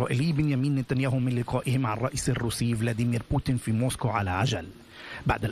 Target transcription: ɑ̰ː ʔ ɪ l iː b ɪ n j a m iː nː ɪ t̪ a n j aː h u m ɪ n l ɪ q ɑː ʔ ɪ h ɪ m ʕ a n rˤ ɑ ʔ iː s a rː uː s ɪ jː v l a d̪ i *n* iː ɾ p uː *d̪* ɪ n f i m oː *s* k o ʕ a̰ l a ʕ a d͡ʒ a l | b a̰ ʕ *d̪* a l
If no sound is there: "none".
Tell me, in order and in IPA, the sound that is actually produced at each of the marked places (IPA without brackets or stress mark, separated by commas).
m, t̪, s, d̪